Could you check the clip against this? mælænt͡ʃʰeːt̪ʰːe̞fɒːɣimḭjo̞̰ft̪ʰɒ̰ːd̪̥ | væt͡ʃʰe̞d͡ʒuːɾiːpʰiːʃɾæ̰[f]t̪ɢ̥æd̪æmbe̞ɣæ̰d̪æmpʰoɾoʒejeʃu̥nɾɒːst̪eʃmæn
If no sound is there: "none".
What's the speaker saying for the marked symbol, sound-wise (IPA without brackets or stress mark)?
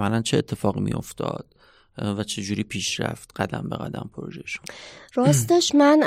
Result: f